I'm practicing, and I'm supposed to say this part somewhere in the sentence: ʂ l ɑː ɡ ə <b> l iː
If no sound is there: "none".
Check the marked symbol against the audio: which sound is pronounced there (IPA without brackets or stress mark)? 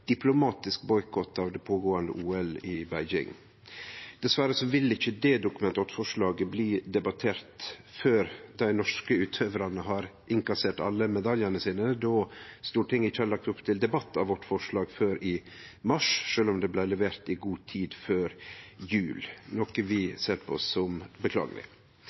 b